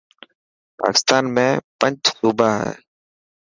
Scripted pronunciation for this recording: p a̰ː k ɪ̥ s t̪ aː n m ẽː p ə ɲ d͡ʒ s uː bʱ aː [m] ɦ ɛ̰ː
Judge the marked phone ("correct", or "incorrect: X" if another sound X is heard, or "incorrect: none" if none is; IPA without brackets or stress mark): incorrect: none